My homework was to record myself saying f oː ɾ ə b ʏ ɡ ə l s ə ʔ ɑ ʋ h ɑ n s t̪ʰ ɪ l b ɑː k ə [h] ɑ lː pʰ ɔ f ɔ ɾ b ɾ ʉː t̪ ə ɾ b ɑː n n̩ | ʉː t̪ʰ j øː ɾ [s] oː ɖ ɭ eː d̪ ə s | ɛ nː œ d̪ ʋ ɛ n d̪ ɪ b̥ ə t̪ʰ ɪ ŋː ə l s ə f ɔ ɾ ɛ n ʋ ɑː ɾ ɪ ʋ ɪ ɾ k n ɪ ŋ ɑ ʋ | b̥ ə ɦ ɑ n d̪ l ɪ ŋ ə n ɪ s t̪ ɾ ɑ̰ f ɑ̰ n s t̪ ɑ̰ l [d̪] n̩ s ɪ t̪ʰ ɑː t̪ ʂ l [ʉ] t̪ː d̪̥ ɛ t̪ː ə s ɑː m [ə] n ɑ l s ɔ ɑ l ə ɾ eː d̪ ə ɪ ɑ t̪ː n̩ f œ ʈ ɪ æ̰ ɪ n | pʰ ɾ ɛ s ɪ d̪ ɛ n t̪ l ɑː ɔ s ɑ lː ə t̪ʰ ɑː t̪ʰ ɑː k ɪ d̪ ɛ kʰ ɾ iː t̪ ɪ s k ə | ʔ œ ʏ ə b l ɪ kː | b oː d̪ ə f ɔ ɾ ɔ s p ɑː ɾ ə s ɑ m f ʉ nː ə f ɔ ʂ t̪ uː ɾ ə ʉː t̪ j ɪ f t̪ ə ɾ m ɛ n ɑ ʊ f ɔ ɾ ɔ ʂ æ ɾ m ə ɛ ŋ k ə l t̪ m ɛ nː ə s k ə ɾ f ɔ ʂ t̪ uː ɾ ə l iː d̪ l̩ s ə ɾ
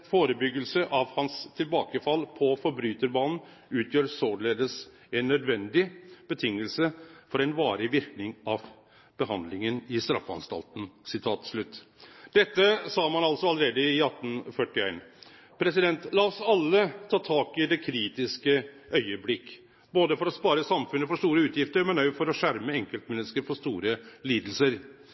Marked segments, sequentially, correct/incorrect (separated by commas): incorrect, correct, incorrect, correct, incorrect